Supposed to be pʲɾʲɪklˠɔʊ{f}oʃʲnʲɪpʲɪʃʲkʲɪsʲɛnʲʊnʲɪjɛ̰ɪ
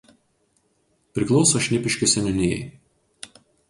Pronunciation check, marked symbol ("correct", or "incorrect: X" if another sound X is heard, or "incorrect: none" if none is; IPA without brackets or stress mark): incorrect: s